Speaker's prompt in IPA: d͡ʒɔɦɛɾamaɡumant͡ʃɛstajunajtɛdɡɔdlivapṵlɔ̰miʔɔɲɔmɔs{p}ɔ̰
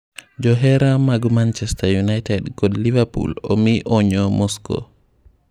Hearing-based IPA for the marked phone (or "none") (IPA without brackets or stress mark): k